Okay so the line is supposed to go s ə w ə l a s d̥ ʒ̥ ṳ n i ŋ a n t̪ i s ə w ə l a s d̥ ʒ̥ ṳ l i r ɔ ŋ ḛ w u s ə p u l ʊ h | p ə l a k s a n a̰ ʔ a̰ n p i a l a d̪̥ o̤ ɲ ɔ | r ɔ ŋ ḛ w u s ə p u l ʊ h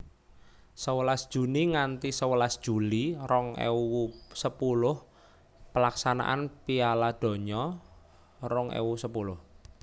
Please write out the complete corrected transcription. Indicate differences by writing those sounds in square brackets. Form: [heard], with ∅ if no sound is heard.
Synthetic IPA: s ə w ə l a s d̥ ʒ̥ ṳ n i ŋ a n t̪ i s ə w ə l a s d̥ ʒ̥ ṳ l i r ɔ ŋ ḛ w u s ə p u l ʊ h | p ə l a k s a n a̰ ʔ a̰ n p i a l a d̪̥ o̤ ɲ ɔ | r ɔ ŋ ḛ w u s ə p u l ʊ h